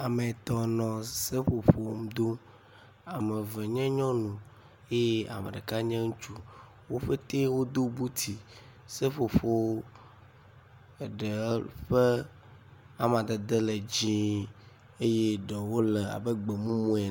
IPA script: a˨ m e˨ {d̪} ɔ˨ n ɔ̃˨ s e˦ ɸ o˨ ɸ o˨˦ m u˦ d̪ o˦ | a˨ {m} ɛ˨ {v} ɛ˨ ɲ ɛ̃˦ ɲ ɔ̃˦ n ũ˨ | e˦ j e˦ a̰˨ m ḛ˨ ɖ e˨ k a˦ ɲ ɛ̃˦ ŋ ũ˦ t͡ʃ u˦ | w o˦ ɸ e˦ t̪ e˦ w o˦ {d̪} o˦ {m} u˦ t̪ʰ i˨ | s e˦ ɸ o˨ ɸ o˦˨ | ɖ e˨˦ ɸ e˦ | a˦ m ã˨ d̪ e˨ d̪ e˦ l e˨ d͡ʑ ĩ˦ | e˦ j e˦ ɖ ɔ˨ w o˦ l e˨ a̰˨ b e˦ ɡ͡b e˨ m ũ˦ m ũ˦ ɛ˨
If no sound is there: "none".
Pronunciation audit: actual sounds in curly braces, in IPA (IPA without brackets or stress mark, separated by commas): t̪, m, v, d̪, b